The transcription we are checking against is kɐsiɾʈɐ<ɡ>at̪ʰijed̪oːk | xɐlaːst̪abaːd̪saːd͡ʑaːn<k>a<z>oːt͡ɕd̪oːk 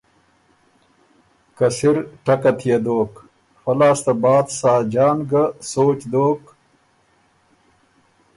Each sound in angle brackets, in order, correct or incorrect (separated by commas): incorrect, incorrect, incorrect